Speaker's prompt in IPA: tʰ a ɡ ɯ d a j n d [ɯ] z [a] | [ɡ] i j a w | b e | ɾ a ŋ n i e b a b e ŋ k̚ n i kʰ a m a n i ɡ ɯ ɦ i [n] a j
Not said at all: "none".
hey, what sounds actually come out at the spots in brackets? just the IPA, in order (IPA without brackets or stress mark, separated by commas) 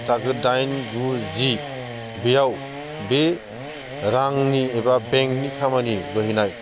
u, i, b, n